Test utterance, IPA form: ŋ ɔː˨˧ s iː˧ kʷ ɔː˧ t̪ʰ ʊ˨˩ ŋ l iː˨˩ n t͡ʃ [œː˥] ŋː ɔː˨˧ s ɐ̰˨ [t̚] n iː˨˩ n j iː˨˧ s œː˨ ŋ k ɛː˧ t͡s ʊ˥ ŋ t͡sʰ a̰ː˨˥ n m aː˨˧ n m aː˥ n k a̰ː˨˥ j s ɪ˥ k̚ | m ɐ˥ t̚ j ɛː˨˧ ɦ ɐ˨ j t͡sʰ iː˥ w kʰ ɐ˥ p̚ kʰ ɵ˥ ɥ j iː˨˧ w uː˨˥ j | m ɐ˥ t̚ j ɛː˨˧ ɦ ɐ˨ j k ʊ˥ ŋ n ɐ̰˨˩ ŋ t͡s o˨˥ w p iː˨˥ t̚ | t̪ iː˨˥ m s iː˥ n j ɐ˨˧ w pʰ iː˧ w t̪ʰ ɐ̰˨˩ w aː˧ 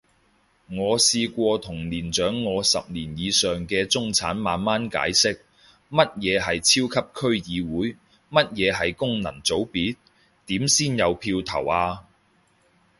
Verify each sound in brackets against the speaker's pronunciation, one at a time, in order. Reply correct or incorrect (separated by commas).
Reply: incorrect, incorrect